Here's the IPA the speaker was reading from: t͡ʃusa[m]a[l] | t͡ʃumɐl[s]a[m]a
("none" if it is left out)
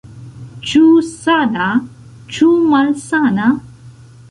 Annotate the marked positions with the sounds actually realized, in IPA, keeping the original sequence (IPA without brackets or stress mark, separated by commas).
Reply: n, none, s, n